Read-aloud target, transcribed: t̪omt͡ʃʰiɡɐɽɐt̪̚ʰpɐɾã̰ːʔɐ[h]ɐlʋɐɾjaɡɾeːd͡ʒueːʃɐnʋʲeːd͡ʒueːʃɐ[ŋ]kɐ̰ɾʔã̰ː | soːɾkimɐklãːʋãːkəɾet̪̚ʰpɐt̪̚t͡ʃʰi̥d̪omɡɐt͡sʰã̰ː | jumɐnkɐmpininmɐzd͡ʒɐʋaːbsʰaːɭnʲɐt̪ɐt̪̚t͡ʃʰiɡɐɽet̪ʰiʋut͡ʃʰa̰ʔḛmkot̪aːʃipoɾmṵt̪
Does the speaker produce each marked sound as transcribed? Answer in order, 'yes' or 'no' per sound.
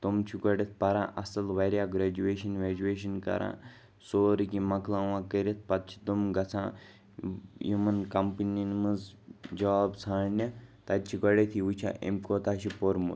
no, no

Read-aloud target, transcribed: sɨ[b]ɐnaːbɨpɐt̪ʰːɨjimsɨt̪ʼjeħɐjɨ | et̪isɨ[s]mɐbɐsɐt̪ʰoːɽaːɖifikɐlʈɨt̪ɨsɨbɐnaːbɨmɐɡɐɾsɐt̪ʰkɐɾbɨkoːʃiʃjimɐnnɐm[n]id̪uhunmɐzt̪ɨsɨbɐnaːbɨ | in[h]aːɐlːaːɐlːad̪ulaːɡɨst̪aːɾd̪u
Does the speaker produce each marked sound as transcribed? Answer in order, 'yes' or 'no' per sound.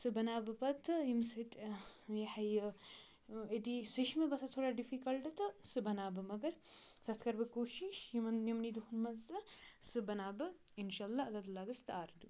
yes, no, yes, no

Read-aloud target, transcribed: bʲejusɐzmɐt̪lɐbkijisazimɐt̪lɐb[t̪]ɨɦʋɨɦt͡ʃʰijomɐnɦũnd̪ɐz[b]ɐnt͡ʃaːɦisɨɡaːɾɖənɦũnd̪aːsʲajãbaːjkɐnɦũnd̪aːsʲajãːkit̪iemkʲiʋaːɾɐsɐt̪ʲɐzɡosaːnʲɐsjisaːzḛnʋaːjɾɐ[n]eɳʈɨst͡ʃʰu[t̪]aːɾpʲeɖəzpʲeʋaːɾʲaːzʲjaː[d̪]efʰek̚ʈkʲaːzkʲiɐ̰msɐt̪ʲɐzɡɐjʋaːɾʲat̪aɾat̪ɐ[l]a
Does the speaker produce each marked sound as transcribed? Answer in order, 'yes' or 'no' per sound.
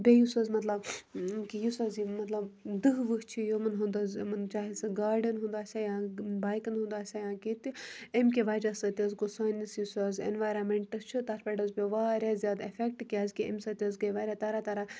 no, no, no, yes, yes, no

